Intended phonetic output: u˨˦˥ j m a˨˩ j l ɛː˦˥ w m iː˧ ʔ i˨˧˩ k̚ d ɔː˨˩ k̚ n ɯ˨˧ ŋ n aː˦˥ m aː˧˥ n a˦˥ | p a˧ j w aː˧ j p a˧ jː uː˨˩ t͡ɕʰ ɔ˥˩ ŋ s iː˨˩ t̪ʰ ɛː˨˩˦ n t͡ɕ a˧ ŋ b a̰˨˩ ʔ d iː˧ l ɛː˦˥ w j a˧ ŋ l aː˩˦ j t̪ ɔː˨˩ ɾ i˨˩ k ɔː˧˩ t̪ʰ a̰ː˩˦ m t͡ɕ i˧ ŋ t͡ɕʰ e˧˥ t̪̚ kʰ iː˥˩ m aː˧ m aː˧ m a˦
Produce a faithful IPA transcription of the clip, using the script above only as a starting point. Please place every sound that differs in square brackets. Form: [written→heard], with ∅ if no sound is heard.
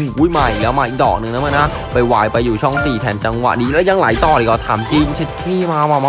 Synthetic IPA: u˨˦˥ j m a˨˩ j l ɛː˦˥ w m [iː˧→aː˧] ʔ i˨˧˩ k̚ d ɔː˨˩ k̚ n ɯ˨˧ ŋ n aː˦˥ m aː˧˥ n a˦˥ | p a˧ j w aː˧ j p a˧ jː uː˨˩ t͡ɕʰ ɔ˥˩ ŋ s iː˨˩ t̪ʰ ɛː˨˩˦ n t͡ɕ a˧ ŋ [b→w] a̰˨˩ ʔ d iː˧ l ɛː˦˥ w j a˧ ŋ l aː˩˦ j t̪ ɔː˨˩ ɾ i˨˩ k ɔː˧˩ t̪ʰ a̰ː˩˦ m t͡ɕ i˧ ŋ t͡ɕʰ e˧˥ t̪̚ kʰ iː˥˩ m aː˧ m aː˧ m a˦